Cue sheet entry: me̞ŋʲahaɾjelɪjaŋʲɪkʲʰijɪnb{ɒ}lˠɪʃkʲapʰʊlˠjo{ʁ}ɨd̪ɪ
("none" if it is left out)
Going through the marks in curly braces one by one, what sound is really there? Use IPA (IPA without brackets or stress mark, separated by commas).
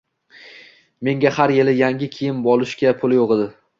ɒ, ʁ